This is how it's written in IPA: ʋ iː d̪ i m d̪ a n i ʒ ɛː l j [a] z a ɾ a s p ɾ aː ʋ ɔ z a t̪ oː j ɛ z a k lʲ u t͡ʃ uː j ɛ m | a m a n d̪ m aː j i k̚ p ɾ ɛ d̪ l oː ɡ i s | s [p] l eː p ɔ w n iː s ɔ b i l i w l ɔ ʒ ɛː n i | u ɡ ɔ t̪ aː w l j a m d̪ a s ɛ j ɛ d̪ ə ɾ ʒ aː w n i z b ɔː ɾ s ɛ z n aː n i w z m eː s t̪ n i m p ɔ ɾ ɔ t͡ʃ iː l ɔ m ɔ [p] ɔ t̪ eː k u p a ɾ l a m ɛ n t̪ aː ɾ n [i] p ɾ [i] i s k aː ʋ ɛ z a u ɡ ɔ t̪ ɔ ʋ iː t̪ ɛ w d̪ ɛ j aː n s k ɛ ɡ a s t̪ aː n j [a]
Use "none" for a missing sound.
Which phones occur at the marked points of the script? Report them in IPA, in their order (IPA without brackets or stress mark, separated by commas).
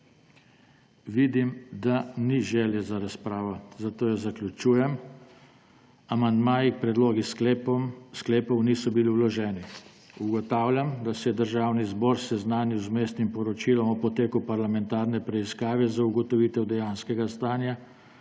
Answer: ɛ, k, p, ɛ, ɛ, a